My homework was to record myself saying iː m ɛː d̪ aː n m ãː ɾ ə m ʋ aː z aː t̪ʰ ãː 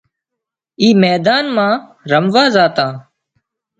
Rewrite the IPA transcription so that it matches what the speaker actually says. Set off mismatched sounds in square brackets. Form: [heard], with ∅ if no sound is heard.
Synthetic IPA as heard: iː m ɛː d̪ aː n m ãː ɾ ə m ʋ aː z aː [t̪] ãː

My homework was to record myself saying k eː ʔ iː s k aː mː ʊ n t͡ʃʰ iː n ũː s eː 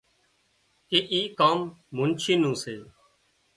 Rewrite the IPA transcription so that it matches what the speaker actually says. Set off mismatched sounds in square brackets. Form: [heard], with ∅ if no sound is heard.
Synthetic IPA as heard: k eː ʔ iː [∅] k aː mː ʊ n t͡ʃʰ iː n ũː s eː

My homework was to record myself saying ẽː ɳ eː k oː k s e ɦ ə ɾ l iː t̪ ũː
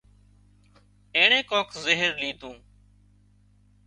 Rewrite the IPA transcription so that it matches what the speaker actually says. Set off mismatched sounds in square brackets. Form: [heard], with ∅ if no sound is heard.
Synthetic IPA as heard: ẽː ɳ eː k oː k [z] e ɦ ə ɾ l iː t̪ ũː

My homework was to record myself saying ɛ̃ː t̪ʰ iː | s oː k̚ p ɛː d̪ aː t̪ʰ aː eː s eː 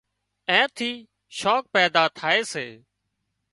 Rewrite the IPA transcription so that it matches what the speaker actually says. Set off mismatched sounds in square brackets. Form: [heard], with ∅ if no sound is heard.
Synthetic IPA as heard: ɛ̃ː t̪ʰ iː | [ʃ] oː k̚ p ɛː d̪ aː t̪ʰ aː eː s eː

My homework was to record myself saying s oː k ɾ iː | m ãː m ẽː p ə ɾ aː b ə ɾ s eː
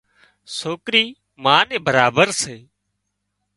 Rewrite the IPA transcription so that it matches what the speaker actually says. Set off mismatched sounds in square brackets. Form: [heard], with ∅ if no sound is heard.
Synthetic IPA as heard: s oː k ɾ iː | m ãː [n] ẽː [b] ə ɾ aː b ə ɾ s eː

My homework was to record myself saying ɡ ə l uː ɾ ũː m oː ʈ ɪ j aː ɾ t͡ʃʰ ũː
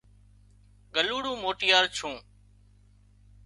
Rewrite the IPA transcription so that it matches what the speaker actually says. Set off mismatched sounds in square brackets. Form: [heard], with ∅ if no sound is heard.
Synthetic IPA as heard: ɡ ə l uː [ɽ] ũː m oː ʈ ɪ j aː ɾ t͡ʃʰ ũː

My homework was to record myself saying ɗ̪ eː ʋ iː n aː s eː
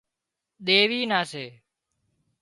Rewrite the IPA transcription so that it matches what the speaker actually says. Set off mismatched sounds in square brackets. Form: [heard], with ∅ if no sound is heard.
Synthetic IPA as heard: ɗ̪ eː ʋ iː n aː s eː

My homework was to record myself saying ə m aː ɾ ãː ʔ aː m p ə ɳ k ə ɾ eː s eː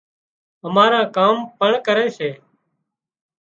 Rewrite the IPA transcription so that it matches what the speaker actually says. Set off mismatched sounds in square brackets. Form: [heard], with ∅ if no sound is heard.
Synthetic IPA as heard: ə m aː ɾ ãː [k] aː m p ə ɳ k ə ɾ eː s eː

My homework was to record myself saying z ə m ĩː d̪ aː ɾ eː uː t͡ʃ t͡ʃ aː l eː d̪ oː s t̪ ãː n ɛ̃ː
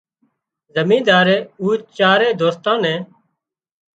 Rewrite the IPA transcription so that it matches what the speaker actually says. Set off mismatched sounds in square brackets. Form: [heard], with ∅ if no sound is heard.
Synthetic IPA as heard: z ə m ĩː d̪ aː ɾ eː uː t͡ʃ t͡ʃ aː [ɾ] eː d̪ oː s t̪ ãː n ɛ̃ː

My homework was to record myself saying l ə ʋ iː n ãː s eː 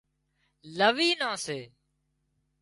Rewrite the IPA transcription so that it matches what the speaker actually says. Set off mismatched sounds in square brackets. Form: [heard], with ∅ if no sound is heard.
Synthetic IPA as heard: l ə ʋ iː n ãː s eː

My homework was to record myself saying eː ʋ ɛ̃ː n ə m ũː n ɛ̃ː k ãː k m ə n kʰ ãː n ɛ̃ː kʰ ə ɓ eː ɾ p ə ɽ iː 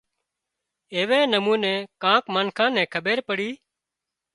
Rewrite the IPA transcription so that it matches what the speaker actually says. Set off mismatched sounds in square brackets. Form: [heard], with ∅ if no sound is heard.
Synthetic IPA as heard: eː ʋ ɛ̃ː n ə m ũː n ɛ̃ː k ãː k m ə n kʰ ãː n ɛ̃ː kʰ ə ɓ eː ɾ p ə ɽ iː

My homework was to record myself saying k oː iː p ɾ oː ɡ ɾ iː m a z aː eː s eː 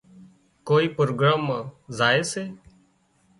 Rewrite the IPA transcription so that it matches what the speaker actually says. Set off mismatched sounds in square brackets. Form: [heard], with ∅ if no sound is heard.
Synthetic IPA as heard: k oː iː p ɾ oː ɡ ɾ [aː] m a z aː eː s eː

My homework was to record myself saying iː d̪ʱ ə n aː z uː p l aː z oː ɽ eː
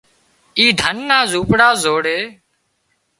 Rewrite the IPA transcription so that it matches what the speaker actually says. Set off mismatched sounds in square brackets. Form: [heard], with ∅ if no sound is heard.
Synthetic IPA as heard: iː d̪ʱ ə [nː] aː z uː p [ɽ] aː z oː ɽ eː

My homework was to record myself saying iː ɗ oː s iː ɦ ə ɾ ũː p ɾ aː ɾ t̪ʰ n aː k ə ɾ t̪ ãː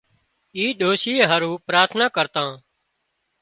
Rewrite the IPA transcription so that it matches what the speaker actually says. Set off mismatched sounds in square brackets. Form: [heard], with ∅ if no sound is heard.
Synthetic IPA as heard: iː ɗ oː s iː ɦ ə ɾ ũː p ɾ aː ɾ t̪ʰ n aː k ə ɾ t̪ ãː

